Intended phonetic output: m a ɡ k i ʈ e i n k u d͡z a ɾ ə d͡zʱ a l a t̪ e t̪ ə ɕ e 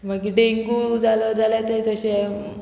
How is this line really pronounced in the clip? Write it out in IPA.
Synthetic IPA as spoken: m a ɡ k i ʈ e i ŋ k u d͡z a l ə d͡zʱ a l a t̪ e t̪ ə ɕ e